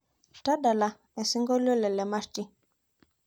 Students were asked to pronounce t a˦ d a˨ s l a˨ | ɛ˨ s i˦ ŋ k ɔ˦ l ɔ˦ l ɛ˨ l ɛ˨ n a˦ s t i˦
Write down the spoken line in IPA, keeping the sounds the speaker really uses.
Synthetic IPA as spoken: t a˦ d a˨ l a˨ | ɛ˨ s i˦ ŋ ɡ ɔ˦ l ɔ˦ l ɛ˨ l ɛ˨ m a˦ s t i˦

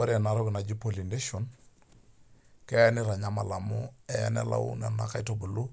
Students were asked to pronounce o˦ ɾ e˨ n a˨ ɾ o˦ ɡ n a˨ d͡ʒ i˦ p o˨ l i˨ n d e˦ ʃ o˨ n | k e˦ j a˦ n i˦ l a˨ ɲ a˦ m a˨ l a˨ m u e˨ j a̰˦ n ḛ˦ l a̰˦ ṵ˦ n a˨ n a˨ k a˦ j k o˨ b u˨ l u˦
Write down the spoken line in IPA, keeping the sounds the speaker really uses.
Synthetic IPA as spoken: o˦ ɾ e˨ n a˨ ɾ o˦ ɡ n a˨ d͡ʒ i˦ p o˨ l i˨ n d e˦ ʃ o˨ n | k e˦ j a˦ n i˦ ɾ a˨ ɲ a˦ m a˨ l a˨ m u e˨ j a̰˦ n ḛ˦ l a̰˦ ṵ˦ n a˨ n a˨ k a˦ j t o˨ b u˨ l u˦

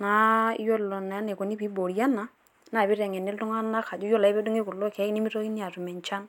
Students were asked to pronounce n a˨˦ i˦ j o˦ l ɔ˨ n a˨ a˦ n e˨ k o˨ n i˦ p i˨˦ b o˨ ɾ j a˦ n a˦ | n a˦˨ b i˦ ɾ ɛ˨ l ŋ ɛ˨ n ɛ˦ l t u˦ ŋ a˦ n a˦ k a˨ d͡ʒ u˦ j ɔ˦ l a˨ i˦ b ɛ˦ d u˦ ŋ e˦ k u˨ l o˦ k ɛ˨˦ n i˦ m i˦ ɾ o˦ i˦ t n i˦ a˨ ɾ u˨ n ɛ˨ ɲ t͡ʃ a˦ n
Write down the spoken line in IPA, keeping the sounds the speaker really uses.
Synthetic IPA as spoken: n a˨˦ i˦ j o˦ l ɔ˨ n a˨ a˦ n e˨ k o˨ n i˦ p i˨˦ b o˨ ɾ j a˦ n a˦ | n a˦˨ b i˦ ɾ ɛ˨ ŋ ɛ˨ n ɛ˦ l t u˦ ŋ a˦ n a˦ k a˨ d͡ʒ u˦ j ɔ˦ l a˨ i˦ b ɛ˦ d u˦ ŋ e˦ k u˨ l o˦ k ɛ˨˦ n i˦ m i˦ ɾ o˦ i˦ n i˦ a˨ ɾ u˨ m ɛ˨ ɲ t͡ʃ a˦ n

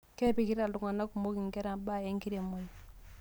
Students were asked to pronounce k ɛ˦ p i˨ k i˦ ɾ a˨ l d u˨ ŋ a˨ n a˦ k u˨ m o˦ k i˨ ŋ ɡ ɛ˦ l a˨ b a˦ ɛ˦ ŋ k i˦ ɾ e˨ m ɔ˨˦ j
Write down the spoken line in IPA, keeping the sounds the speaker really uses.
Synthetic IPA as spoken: k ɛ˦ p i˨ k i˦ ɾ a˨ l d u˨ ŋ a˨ n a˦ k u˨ m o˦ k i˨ ŋ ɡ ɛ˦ ɾ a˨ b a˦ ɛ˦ ŋ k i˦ ɾ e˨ m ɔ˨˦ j

